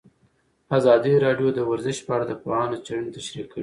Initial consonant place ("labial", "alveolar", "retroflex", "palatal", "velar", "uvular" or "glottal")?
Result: alveolar